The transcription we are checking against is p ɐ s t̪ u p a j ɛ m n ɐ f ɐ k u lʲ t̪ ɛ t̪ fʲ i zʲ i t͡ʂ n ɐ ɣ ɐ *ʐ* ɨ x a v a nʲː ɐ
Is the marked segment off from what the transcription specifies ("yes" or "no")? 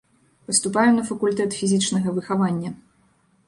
yes